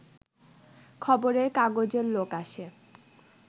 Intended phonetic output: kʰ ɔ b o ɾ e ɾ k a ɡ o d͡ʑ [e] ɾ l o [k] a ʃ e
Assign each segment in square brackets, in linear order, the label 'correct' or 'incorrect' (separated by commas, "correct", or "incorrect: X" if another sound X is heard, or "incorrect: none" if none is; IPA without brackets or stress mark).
correct, correct